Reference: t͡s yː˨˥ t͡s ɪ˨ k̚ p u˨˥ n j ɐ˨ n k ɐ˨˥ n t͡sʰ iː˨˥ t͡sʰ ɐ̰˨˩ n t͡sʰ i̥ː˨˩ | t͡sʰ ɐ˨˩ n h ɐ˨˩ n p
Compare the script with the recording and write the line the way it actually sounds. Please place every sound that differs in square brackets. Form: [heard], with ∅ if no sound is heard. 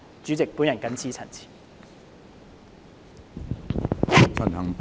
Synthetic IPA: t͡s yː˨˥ t͡s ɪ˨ k̚ p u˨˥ n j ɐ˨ n k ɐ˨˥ n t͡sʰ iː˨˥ t͡sʰ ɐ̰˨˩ n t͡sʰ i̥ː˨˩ | t͡sʰ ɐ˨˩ n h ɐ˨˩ [ŋ] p